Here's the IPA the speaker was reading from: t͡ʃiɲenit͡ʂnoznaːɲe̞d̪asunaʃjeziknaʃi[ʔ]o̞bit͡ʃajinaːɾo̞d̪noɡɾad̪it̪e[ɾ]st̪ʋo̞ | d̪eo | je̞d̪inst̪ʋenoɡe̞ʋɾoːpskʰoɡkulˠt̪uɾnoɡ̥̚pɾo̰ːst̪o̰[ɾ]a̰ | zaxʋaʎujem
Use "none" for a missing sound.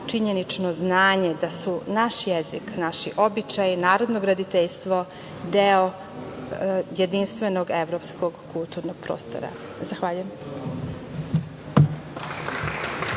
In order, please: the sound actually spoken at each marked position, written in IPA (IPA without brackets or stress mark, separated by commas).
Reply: ʔ, ʎ, ɾ